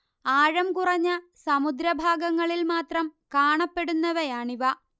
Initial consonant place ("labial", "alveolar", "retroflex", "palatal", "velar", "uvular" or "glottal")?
retroflex